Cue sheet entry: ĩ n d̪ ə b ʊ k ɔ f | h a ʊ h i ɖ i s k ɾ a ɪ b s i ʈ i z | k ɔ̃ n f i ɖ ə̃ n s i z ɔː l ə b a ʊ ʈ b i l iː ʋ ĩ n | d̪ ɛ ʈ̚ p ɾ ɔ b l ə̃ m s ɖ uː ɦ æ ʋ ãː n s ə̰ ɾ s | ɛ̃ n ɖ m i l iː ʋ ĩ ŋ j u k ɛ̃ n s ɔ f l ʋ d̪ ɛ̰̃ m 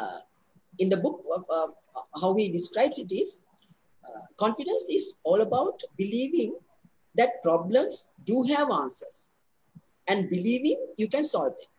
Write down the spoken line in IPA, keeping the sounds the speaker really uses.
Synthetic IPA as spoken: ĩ n d̪ ə b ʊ k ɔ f | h a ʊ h i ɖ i s k ɾ a ɪ b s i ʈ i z | k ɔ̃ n f i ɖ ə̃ n s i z ɔː l ə b a ʊ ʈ b i l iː ʋ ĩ ŋ | d̪ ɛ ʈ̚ p ɾ ɔ b l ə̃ m s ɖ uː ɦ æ ʋ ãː n s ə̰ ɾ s | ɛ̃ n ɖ b i l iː ʋ ĩ ŋ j u k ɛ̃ n s ɔ l ʋ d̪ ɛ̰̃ m